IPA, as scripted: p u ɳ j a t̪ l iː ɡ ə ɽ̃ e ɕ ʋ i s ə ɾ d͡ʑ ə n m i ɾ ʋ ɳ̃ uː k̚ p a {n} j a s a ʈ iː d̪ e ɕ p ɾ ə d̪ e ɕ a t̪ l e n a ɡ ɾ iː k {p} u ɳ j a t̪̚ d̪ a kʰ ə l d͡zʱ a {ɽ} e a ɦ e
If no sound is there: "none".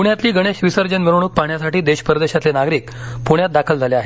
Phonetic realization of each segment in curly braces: ɳ, p, l

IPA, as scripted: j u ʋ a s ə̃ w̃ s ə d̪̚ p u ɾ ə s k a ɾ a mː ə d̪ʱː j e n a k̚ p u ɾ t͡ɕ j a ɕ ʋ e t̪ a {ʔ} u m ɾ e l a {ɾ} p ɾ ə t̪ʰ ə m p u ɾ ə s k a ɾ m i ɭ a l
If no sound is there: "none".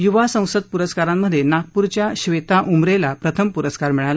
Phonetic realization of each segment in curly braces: ʔ, none

